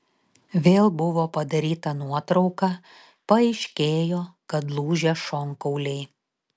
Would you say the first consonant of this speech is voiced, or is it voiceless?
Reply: voiced